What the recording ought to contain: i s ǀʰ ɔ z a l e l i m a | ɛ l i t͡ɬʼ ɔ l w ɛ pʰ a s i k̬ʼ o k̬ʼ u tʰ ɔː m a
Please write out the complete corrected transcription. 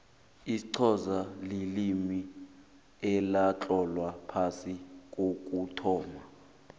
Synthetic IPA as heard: i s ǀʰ ɔ z a l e l i m i | ɛ l a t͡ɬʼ ɔ l w a pʰ a s i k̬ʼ o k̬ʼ u tʰ ɔː m a